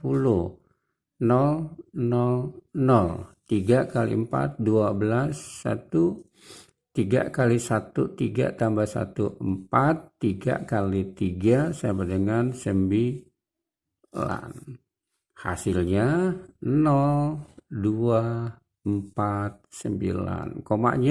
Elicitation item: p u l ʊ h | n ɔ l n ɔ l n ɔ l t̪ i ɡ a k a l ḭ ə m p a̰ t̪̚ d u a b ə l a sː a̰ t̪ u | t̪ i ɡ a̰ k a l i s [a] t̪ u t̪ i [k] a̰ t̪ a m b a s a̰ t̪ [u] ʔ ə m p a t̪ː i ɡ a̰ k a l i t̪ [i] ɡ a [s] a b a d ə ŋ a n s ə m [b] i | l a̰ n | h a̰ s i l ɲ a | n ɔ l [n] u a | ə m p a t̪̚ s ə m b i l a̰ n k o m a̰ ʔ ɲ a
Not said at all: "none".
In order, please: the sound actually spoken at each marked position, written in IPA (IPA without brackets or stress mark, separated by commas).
a, ɡ, u, i, s, b, d